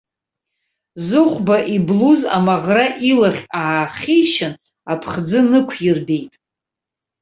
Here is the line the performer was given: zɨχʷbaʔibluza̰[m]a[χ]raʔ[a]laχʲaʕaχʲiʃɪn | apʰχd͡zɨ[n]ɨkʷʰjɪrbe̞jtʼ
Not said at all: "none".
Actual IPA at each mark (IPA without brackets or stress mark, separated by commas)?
m, ʁ, i, n